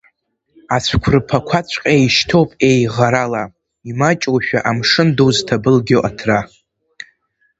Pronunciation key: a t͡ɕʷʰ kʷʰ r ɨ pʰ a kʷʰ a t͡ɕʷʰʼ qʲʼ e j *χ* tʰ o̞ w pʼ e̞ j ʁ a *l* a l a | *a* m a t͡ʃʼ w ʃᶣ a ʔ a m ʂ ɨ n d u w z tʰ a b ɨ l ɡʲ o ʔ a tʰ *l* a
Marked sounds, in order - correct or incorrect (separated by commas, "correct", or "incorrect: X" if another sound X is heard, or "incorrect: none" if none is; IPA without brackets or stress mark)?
incorrect: ʃ, incorrect: ɾ, incorrect: i, incorrect: r